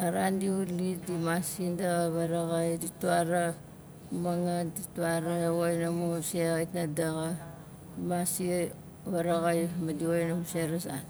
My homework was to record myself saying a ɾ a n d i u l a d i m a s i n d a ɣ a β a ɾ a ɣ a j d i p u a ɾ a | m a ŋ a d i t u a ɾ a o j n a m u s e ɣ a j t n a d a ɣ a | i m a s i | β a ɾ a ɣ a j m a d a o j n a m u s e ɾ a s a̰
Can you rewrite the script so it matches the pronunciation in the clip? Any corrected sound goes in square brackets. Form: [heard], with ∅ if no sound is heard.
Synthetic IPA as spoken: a ɾ a n d i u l [i] d i m a s i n d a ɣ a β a ɾ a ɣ a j d i [t] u a ɾ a | m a ŋ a d i t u a ɾ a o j n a m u s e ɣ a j t n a d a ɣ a | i m a s i | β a ɾ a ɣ a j m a d [i] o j n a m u s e ɾ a s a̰